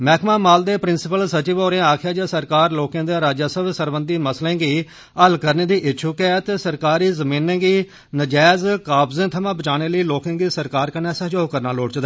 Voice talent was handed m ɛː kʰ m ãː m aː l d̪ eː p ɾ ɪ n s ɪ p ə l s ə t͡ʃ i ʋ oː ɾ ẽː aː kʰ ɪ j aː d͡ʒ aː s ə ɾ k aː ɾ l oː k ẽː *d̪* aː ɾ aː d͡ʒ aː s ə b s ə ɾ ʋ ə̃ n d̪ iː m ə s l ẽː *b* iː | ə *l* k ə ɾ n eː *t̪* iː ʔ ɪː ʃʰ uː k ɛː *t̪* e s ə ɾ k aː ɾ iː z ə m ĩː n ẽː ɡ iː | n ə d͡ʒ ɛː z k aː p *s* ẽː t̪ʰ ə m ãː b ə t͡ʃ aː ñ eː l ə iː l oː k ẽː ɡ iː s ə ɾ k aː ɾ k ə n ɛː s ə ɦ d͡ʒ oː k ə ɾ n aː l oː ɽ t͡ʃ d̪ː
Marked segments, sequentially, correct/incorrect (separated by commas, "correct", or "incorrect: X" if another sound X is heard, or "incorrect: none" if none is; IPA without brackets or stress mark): correct, incorrect: ɡ, correct, incorrect: d̪, correct, incorrect: z